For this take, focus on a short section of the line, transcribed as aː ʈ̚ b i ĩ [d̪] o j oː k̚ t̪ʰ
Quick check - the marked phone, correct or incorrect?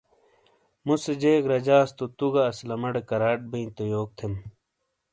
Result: incorrect